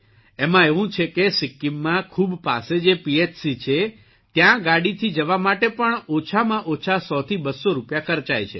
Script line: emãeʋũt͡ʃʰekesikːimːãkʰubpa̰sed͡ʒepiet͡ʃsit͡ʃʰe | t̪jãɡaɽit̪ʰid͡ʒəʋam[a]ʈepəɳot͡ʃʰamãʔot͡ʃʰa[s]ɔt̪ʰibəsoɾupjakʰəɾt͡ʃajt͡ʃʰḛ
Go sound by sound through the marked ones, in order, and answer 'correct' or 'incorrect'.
correct, correct

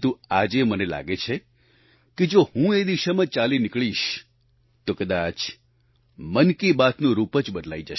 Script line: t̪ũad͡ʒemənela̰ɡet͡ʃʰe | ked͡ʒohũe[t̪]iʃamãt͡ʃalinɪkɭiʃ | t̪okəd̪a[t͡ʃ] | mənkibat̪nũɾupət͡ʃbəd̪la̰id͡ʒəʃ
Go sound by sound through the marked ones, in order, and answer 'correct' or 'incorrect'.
incorrect: d̪, correct

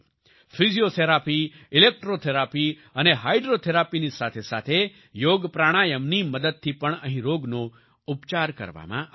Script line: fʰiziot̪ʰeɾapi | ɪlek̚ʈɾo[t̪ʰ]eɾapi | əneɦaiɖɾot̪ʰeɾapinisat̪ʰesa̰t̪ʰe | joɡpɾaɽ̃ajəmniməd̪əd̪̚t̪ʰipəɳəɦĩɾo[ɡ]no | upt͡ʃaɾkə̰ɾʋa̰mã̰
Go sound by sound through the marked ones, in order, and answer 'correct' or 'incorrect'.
correct, correct

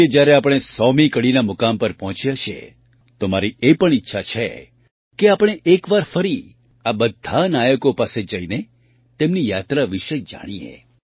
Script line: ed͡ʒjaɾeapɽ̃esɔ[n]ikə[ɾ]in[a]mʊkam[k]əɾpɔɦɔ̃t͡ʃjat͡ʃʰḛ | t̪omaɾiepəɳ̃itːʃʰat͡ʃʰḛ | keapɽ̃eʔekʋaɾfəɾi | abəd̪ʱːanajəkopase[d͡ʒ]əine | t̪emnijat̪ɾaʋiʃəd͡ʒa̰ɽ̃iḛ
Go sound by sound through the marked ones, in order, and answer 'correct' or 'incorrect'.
incorrect: m, incorrect: ɽ, correct, incorrect: p, correct

